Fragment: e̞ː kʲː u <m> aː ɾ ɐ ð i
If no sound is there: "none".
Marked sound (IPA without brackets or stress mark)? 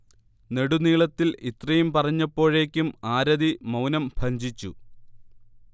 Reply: m